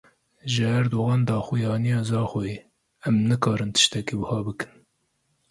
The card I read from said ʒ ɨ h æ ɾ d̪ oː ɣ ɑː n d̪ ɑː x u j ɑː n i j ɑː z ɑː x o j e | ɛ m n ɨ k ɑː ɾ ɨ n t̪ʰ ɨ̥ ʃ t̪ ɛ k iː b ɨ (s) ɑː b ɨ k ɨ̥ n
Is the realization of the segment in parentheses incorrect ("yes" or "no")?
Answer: yes